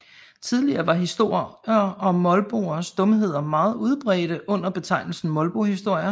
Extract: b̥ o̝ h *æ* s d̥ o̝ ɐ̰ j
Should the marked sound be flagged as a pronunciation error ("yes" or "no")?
yes